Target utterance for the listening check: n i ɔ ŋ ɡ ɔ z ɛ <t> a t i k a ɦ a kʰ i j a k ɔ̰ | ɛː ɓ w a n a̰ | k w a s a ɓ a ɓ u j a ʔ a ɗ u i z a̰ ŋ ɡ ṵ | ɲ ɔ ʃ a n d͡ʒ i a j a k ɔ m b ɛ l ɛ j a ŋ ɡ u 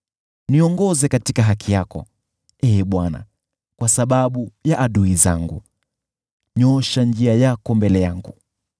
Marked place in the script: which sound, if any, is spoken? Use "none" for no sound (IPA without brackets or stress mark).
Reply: k